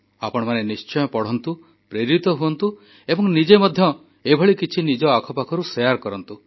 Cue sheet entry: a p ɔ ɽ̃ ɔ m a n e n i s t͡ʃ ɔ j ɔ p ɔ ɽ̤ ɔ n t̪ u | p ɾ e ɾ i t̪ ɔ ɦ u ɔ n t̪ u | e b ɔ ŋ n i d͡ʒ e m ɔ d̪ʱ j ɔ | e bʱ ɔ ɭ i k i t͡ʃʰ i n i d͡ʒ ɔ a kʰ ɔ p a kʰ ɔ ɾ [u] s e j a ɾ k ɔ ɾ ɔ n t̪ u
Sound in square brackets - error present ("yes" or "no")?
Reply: no